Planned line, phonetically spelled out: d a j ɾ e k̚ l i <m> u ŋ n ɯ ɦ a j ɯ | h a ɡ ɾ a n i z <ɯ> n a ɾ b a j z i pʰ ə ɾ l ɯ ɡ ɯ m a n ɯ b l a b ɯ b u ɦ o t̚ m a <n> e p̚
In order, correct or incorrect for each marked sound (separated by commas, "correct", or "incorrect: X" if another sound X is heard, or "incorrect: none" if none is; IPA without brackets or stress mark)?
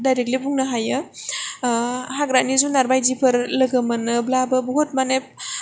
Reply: incorrect: b, incorrect: u, correct